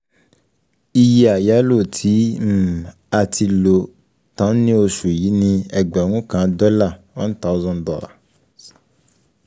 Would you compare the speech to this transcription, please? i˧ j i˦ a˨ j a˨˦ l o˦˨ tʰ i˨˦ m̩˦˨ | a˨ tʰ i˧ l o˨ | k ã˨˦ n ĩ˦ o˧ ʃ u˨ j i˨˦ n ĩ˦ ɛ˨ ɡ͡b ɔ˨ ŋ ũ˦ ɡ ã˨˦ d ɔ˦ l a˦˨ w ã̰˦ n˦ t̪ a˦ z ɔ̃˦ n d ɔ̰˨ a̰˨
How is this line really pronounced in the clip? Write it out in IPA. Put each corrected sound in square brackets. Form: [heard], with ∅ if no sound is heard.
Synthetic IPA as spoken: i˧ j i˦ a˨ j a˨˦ l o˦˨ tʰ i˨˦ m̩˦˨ | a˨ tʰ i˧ l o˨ | [t] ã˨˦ n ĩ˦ o˧ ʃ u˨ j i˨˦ n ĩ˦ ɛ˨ ɡ͡b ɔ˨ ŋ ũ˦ [k] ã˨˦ d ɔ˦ l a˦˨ w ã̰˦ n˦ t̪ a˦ z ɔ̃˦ n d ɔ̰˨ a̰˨